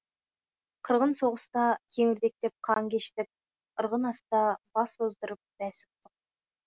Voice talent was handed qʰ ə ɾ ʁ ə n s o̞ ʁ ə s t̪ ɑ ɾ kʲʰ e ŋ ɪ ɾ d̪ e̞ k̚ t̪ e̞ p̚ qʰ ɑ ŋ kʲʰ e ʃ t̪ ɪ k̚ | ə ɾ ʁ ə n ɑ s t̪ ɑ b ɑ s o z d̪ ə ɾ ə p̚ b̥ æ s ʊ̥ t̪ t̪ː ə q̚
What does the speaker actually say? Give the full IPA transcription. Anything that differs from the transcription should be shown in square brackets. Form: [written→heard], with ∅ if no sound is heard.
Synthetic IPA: qʰ ə ɾ ʁ ə n s o̞ ʁ ə s t̪ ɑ [ɾ→∅] kʲʰ e ŋ ɪ ɾ d̪ e̞ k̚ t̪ e̞ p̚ qʰ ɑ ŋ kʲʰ e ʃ t̪ ɪ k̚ | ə ɾ ʁ ə n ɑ s t̪ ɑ b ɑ s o z d̪ ə ɾ ə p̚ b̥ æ s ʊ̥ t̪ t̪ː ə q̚